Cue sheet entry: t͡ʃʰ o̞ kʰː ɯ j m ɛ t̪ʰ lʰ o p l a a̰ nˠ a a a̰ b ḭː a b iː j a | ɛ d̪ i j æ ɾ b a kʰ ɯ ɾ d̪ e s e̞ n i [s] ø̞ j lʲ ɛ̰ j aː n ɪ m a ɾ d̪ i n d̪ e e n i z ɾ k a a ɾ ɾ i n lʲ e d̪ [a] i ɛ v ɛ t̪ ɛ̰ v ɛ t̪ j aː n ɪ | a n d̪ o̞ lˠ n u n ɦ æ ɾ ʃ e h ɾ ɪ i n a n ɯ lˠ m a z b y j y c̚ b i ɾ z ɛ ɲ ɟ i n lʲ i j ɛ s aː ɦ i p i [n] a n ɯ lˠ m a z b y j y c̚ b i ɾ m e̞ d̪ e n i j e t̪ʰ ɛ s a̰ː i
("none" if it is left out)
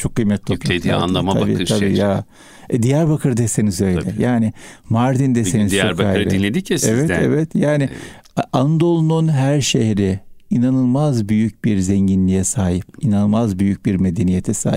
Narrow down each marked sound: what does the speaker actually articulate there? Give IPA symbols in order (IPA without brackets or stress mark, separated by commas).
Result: z, i, n